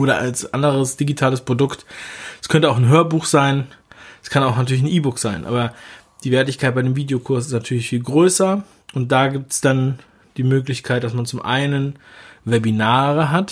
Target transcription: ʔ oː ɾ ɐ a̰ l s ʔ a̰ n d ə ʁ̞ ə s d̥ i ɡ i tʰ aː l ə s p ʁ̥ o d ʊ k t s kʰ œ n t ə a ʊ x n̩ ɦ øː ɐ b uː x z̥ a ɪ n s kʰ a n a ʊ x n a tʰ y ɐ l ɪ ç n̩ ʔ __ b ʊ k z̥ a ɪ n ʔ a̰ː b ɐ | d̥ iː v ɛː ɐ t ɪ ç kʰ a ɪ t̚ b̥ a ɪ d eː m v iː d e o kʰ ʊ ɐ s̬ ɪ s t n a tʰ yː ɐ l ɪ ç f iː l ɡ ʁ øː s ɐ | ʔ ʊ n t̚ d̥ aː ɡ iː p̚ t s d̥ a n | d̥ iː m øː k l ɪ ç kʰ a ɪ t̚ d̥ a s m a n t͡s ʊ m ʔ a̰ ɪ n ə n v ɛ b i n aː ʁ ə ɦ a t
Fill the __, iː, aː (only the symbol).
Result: iː